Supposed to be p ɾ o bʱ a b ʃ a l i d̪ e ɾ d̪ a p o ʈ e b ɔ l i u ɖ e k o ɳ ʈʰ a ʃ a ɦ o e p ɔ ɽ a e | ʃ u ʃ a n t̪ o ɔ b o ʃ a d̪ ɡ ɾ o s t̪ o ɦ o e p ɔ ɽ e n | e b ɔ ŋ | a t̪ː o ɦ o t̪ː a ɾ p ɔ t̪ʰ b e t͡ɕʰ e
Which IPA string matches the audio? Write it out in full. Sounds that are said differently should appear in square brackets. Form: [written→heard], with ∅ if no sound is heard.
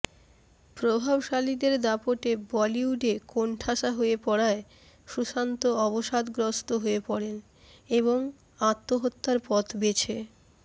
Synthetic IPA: p ɾ o bʱ a b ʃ a l i d̪ e ɾ d̪ a p o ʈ e b ɔ l i u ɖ e k o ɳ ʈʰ a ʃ a ɦ o e p ɔ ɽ a e | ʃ u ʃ a n t̪ o ɔ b o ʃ a d̪ ɡ ɾ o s t̪ o ɦ o e p ɔ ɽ e n | e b [ɔ→o] ŋ | a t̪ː o ɦ o t̪ː a ɾ p ɔ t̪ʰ b e t͡ɕʰ e